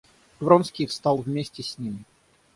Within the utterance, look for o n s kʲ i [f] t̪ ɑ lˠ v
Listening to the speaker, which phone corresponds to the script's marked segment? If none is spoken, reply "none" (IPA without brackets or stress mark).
s